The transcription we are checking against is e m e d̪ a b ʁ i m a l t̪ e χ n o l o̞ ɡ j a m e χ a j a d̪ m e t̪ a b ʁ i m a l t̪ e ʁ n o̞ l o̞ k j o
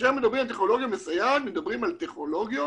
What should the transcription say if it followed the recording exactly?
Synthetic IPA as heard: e m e d̪ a b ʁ i m a l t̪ e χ n o l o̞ ɡ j a m e s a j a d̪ m e d̪ a b ʁ i m a l t̪ e χ n o̞ l o̞ ɡ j o